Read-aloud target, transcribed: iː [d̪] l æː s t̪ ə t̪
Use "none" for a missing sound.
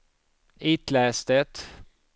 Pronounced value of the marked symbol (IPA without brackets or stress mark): t̪